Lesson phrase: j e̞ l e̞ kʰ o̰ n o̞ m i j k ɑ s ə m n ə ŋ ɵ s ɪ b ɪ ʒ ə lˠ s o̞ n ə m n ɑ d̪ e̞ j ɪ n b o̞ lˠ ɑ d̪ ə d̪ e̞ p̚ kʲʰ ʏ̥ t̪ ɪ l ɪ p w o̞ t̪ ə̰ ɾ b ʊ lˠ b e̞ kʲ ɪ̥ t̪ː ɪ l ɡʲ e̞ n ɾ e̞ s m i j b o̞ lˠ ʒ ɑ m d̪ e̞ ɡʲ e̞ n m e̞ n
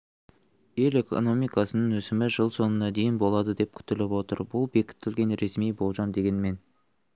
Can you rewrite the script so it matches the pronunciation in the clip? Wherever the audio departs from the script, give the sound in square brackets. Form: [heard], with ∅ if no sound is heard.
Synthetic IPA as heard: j e̞ l e̞ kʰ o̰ n o̞ m i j k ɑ s ə [∅] n ə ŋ ɵ s ɪ [m] ɪ ʒ ə lˠ s o̞ n ə [∅] n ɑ d̪ e̞ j ɪ n b o̞ lˠ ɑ d̪ ə d̪ e̞ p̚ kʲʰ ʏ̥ t̪ ɪ l ɪ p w o̞ t̪ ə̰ ɾ b ʊ lˠ b e̞ kʲ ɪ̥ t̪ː ɪ l ɡʲ e̞ n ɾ e̞ s m i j b o̞ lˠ ʒ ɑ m d̪ e̞ ɡʲ e̞ n m e̞ n

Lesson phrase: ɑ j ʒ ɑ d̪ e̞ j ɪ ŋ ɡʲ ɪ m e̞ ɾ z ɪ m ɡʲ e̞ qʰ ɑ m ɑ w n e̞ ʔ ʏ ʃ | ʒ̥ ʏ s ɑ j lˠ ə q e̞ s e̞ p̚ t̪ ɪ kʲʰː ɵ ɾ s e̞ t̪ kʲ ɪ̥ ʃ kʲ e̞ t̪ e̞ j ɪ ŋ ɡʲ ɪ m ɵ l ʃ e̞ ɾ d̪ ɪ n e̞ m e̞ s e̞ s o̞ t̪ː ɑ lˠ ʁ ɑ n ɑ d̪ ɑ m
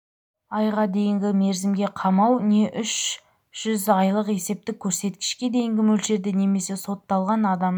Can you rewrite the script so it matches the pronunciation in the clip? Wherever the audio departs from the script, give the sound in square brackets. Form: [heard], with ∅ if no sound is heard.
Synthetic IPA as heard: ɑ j [ʁ] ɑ d̪ e̞ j ɪ ŋ ɡʲ ɪ m e̞ ɾ z ɪ m ɡʲ e̞ qʰ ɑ m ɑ w n e̞ ʔ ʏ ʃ | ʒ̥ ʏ [z] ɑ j lˠ ə q e̞ s e̞ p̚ t̪ ɪ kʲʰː ɵ ɾ s e̞ t̪ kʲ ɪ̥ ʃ kʲ e̞ [d̪] e̞ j ɪ ŋ ɡʲ ɪ m ɵ l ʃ e̞ ɾ d̪ ɪ n e̞ m e̞ s e̞ s o̞ t̪ː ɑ lˠ ʁ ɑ n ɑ d̪ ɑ m

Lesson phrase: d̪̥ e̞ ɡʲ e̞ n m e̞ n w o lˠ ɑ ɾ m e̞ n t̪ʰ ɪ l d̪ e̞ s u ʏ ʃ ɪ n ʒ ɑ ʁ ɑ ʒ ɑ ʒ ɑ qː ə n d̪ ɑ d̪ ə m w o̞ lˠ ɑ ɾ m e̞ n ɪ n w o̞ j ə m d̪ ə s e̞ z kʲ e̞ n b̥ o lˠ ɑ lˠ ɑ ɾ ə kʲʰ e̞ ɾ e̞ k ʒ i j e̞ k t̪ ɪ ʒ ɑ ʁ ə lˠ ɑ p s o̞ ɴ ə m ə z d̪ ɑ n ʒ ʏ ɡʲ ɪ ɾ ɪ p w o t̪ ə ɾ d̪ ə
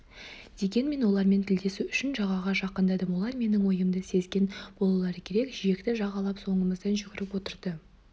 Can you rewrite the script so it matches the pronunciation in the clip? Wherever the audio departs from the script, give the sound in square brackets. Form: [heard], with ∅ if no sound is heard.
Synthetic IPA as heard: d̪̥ e̞ ɡʲ e̞ n m e̞ n w o lˠ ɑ ɾ m e̞ n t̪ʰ ɪ l d̪ e̞ s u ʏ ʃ ɪ n ʒ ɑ ʁ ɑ [ʁ] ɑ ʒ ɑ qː ə n d̪ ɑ d̪ ə m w o̞ lˠ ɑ ɾ m e̞ n ɪ [ŋ] w o̞ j ə m d̪ ə s e̞ z [ɡʲ] e̞ n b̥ o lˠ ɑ lˠ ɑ ɾ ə kʲʰ e̞ ɾ e̞ k ʒ i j e̞ k t̪ ɪ ʒ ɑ ʁ [ɑ] lˠ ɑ p s o̞ ɴ ə m ə z d̪ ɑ n ʒ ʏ ɡʲ ɪ ɾ ɪ p w o t̪ ə ɾ d̪ ə

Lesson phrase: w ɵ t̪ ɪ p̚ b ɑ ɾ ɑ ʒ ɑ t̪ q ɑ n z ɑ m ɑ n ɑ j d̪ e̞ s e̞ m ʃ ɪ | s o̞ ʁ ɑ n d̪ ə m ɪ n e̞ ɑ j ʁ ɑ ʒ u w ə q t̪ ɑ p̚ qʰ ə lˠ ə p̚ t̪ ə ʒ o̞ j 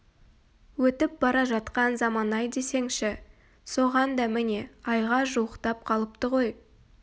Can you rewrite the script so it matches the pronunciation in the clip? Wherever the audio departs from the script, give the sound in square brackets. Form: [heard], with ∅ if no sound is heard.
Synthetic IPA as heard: w ɵ t̪ ɪ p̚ b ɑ ɾ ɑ ʒ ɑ t̪ q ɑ n z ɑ m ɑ n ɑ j d̪ e̞ s e̞ [ŋ] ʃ ɪ | s o̞ ʁ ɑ n d̪ [ɑ] m ɪ n e̞ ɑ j ʁ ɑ ʒ u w ə q t̪ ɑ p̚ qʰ [ɑ] lˠ ə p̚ t̪ ə [ʁ] o̞ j

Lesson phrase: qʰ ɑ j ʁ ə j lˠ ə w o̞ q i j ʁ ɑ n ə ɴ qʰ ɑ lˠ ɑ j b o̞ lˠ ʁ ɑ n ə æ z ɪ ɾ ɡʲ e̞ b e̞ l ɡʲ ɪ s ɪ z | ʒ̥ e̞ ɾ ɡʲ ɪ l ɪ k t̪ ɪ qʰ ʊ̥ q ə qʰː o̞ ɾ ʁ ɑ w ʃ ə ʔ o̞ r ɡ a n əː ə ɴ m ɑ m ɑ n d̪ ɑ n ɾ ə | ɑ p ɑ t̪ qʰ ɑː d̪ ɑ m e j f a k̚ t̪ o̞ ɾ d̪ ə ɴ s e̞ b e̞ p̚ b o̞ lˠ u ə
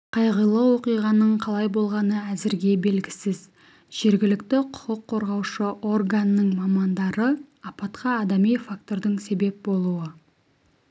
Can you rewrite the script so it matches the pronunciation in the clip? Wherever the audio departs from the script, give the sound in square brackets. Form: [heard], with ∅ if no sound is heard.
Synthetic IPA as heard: qʰ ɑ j ʁ ə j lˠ ə w o̞ q i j ʁ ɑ n ə ɴ qʰ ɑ lˠ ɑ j b o̞ lˠ ʁ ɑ n ə æ z ɪ ɾ ɡʲ e̞ b e̞ l ɡʲ ɪ s ɪ z | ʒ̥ e̞ ɾ ɡʲ ɪ l ɪ k t̪ ɪ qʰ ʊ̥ q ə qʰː o̞ ɾ ʁ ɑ w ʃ ə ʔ o̞ r ɡ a n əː ə ɴ m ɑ m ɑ n d̪ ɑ [∅] ɾ ə | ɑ p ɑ t̪ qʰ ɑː d̪ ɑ m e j f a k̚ t̪ o̞ ɾ d̪ ə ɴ s e̞ b e̞ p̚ b o̞ lˠ u ə

